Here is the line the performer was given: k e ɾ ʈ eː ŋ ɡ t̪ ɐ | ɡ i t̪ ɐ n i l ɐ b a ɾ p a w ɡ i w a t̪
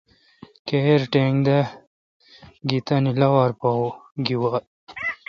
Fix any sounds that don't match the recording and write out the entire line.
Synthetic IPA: k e ɾ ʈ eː ŋ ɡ d̪ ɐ | ɡ i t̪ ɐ n i l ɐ w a ɾ p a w ɡ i w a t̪